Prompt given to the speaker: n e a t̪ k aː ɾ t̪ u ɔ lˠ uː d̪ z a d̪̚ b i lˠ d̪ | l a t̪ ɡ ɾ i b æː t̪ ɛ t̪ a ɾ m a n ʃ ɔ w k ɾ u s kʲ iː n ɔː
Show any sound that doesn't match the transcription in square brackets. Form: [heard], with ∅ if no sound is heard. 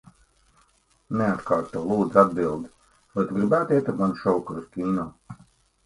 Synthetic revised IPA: n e a t̪ k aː ɾ t̪ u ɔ lˠ uː d̪ z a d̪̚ b i lˠ d̪ | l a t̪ ɡ ɾ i b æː t̪ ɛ t̪ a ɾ m a n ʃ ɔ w k ɾ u s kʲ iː n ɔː